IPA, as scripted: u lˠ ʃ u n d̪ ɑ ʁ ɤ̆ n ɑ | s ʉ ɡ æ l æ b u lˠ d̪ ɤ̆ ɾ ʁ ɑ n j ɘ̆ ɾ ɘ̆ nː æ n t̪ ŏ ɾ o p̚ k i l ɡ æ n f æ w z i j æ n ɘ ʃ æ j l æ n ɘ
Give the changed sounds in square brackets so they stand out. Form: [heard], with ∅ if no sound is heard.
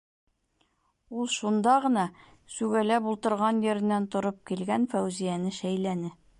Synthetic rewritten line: u lˠ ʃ u n d̪ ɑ ʁ ɤ̆ n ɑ | s ʉ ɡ æ l æ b u lˠ [t̪] ɤ̆ ɾ ʁ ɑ n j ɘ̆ ɾ ɘ̆ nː æ n t̪ ŏ ɾ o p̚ k i l ɡ æ n f æ w z i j æ n ɘ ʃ æ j l æ n ɘ